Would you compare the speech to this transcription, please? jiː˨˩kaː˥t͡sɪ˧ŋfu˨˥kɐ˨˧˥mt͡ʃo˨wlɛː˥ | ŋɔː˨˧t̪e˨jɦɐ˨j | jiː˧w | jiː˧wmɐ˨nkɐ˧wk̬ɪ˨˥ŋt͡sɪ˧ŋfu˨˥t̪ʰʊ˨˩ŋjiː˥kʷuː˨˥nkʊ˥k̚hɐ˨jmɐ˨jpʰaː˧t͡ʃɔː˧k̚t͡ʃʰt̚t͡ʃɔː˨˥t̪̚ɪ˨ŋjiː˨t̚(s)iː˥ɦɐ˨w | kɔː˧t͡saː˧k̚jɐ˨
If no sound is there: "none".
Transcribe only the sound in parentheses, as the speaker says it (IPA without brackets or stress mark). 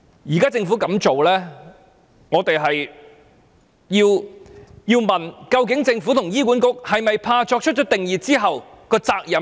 t͡s